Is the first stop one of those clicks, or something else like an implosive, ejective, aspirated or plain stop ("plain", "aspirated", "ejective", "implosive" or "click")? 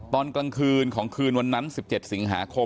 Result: plain